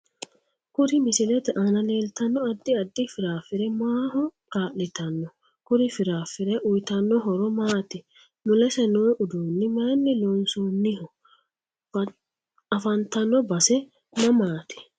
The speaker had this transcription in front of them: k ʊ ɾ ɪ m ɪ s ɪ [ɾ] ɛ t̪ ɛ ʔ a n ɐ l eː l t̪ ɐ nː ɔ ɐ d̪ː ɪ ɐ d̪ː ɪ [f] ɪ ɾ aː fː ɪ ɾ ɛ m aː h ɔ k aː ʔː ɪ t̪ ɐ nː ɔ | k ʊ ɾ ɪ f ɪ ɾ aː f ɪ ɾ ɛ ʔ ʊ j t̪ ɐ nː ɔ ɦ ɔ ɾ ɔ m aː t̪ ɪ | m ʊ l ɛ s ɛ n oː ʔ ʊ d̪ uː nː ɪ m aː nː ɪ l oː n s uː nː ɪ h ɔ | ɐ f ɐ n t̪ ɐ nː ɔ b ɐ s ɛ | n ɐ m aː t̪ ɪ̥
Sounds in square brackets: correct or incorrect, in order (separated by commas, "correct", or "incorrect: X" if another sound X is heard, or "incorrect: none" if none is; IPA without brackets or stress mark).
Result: incorrect: l, correct